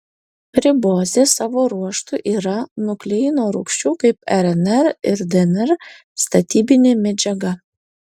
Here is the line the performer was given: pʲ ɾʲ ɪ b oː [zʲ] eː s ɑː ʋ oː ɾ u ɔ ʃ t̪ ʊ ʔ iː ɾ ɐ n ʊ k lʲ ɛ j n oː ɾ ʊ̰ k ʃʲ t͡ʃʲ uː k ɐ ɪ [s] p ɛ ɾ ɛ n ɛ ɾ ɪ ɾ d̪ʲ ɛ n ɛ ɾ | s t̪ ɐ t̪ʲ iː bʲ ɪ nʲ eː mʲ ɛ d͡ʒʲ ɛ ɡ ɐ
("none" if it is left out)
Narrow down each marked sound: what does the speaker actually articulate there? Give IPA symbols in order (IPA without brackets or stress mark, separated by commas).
zʲ, none